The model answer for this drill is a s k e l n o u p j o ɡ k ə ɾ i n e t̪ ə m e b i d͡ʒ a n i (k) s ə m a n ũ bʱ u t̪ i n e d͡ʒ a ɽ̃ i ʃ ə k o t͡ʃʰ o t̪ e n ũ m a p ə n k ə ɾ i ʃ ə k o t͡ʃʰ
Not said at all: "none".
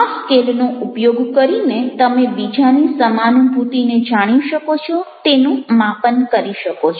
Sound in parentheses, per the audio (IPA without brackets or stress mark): none